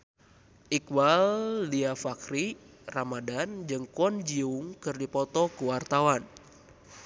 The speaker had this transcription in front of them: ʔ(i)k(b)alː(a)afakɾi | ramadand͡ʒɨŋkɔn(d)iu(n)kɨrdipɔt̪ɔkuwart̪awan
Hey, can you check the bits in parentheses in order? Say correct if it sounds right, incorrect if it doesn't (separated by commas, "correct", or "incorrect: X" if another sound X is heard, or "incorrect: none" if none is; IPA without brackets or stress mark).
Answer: correct, incorrect: w, incorrect: i, incorrect: d͡ʒ, incorrect: ŋ